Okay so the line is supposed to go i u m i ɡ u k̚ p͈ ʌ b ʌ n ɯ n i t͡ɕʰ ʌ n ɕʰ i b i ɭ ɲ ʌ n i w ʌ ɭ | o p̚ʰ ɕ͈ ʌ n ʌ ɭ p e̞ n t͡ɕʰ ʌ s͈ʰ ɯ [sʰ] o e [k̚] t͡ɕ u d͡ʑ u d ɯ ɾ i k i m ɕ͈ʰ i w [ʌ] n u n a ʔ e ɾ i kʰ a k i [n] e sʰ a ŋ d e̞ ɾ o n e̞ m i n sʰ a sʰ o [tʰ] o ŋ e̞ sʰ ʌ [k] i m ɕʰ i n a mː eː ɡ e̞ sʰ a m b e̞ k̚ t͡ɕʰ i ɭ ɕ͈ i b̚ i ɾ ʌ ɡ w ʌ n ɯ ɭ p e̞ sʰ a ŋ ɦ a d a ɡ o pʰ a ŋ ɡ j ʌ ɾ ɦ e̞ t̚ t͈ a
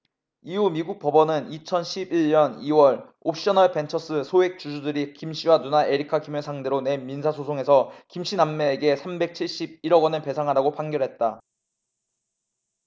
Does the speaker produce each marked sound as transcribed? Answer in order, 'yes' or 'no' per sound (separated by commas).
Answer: yes, yes, no, no, no, yes